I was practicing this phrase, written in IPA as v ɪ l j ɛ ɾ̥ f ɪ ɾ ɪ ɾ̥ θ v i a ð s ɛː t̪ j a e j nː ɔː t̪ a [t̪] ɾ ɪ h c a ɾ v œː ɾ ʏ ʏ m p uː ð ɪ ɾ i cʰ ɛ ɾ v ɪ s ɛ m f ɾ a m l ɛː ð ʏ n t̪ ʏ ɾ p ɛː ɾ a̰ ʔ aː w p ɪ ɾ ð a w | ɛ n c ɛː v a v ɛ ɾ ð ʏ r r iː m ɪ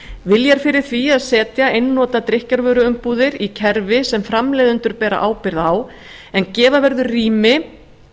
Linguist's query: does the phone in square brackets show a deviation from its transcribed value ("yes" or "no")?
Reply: no